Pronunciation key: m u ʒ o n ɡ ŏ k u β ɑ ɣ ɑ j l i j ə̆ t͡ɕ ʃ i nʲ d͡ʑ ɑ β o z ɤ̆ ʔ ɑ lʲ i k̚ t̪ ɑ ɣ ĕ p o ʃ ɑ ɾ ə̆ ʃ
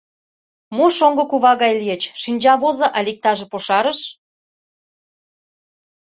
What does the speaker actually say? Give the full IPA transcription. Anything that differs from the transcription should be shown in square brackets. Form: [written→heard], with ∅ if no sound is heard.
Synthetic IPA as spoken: m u [ʒ→ʃ] o [n→ŋ] ɡ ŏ k u β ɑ ɣ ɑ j l i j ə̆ t͡ɕ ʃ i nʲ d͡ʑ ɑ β o z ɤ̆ ʔ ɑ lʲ i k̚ t̪ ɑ [ɣ→ʒ] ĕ p o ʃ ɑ ɾ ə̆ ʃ